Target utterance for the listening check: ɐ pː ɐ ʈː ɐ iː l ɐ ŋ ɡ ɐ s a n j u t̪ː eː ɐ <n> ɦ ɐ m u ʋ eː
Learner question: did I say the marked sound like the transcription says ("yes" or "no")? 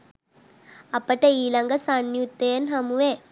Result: yes